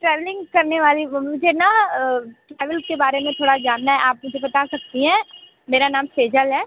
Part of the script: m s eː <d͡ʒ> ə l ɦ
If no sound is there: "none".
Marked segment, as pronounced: d͡ʒ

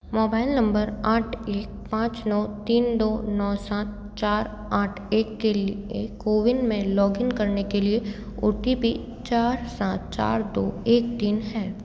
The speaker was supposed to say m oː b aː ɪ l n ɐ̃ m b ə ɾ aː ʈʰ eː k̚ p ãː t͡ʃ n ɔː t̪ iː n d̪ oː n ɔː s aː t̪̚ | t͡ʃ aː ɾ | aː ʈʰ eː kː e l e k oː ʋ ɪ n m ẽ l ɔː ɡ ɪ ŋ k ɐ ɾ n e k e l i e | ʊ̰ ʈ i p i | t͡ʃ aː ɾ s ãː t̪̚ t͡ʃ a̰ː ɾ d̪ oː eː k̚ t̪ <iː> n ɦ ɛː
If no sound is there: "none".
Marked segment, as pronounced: iː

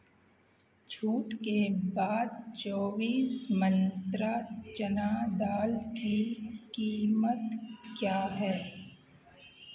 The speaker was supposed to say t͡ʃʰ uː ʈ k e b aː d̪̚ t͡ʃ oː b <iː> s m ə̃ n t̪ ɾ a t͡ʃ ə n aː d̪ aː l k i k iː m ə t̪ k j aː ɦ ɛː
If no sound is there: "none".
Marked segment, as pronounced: iː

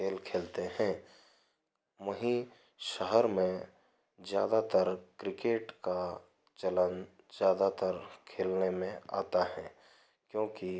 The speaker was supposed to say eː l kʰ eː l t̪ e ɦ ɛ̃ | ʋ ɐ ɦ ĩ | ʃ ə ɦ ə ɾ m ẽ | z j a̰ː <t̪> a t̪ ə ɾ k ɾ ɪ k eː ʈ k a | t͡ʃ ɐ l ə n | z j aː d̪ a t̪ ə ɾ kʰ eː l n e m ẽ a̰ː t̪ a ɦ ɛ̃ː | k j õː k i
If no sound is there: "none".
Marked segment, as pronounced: d̪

